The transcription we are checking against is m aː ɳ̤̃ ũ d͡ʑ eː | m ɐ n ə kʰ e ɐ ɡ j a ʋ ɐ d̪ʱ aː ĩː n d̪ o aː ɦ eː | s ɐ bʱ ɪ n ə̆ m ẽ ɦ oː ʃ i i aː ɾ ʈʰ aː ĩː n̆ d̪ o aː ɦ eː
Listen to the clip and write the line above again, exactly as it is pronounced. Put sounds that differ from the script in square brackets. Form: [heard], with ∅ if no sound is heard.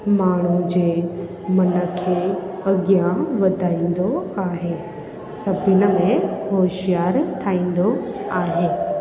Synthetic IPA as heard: m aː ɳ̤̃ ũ d͡ʑ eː | m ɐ n ə kʰ e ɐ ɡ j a ʋ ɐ d̪ʱ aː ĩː n d̪ o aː ɦ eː | s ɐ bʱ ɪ n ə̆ m ẽ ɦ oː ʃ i [j] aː ɾ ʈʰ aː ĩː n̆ d̪ o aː ɦ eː